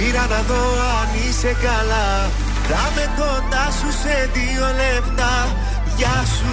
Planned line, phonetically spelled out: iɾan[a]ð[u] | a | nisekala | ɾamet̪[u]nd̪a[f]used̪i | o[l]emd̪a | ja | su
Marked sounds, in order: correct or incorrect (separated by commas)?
correct, incorrect, incorrect, incorrect, correct